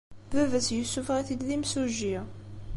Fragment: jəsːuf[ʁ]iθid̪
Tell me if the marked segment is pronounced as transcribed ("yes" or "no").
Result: yes